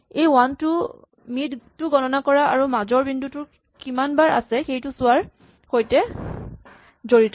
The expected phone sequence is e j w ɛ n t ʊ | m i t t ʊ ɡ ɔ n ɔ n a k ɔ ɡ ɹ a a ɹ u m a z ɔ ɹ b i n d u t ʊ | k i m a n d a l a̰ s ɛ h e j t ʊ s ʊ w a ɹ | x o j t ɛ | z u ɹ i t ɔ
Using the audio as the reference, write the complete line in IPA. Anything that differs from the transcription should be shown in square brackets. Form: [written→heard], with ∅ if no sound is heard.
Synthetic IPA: e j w [ɛ→a] n t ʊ | m i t t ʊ ɡ ɔ n ɔ n a k ɔ [ɡ→∅] ɹ a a ɹ u m a z ɔ ɹ b i n d u t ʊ | k i m a n [d→b] a [l→ɹ] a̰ s ɛ [h→x] e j t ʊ s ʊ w a ɹ | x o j t ɛ | z [u→o] ɹ i t ɔ